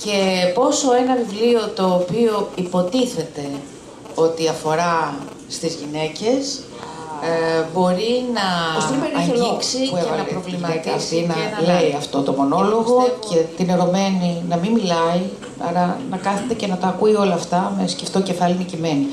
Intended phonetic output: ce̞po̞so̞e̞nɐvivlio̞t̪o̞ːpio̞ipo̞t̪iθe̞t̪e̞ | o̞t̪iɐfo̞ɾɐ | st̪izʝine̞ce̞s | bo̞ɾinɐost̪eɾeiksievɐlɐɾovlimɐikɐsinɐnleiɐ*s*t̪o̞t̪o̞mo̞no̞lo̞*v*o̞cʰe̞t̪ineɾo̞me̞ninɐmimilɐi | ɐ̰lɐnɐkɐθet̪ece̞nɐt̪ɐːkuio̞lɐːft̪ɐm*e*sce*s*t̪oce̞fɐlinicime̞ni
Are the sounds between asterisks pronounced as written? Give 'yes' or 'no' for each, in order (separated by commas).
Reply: no, no, yes, no